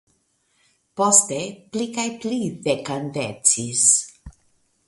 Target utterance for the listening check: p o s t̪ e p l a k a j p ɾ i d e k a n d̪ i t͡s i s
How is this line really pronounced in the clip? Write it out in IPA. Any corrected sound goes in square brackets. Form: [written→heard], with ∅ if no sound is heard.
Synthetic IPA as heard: p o s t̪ e p l [a→i] k a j p [ɾ→l] i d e k a n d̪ [i→e] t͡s i s